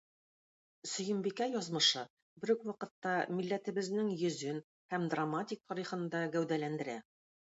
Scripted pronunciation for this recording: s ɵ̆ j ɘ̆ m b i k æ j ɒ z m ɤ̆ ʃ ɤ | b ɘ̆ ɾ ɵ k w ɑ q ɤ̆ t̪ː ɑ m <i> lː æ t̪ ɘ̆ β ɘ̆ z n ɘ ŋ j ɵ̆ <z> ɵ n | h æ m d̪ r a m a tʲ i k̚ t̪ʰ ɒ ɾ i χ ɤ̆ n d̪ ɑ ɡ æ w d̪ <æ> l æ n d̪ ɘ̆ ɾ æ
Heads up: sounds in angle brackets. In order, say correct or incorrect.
correct, correct, correct

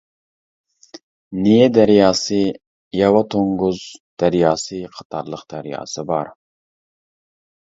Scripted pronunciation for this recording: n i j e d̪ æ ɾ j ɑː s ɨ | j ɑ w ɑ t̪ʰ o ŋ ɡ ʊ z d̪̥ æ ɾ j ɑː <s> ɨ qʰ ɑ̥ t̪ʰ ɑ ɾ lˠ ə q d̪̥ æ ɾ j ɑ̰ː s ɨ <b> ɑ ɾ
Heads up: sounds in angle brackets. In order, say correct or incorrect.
correct, correct

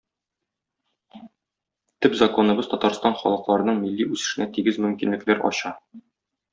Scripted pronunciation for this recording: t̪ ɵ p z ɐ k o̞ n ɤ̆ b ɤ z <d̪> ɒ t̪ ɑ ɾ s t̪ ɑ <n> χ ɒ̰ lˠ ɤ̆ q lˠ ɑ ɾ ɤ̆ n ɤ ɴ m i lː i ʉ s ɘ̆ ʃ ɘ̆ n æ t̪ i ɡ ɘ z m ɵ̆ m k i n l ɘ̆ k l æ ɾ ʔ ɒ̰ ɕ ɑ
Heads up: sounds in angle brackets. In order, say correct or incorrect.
incorrect: t̪, correct

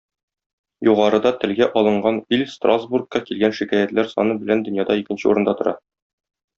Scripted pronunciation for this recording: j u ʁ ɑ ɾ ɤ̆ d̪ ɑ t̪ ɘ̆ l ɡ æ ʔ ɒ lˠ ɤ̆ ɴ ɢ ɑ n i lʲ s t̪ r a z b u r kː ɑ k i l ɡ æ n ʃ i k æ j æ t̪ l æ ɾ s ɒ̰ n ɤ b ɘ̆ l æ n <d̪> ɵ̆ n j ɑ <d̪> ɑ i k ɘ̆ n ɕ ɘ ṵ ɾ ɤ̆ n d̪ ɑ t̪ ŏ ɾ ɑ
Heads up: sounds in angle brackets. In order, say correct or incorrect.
correct, correct

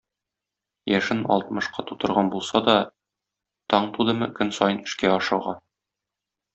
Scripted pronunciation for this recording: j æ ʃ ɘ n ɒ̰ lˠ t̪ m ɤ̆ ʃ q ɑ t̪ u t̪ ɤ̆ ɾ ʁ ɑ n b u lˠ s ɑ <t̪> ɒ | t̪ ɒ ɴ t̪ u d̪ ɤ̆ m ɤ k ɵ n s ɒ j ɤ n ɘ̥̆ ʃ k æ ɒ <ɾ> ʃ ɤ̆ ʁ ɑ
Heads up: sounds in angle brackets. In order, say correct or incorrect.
incorrect: d̪, incorrect: none

